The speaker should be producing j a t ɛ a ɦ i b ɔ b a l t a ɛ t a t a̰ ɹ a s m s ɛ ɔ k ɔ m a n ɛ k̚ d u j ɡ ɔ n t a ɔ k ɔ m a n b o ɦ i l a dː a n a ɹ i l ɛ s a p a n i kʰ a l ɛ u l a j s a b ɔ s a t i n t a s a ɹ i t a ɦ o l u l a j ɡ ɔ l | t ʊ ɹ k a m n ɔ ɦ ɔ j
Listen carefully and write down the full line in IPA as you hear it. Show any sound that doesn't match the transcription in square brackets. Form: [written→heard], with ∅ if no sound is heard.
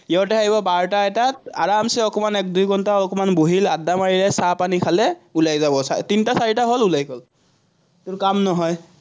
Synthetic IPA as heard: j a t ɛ a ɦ i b ɔ b a [l→ɹ] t a ɛ t a t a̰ ɹ a [s→∅] m s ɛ ɔ k ɔ m a n ɛ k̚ d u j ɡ ɔ n t a ɔ k ɔ m a n b o ɦ i l a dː a [n→m] a ɹ i l ɛ s a p a n i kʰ a l ɛ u l a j [s→z] a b ɔ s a t i n t a s a ɹ i t a ɦ o l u l a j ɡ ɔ l | t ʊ ɹ k a m n ɔ ɦ ɔ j